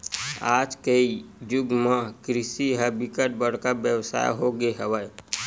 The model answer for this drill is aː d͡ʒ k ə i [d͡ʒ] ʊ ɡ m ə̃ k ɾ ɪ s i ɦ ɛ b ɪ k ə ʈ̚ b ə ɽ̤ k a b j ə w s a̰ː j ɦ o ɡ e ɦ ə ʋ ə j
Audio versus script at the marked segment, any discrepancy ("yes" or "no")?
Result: no